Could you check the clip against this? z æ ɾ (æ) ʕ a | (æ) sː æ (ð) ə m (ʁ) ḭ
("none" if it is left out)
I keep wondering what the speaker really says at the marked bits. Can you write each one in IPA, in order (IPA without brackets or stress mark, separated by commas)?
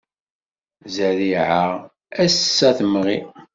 i, æ, θ, ʁ